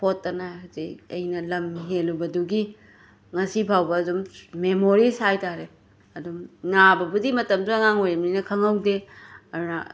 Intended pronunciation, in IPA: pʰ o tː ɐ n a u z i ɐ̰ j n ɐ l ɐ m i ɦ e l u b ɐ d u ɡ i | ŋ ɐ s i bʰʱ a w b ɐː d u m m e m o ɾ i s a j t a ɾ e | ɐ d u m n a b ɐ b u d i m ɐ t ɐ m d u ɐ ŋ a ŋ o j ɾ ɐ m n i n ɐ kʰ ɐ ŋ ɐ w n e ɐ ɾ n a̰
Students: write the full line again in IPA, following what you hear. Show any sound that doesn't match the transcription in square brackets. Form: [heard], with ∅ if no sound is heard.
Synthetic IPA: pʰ o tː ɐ n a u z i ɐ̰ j n ɐ l ɐ m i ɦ e l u b ɐ d u ɡ i | ŋ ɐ s i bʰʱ a w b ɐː d u m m e m o ɾ i s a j t a ɾ e | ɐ d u m n a b ɐ b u d i m ɐ t ɐ m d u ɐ ŋ a ŋ o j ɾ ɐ m n i n ɐ kʰ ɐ ŋ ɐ w [d] e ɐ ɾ n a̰